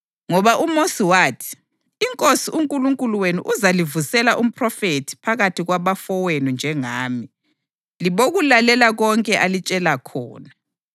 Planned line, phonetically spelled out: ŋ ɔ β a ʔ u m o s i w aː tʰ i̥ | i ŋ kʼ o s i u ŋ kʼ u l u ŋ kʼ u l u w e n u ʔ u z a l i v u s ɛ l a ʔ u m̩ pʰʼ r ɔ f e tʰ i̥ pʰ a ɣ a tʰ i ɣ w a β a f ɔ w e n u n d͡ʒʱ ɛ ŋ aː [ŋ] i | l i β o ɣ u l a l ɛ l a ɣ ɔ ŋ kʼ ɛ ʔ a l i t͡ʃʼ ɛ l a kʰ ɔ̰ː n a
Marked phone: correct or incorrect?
incorrect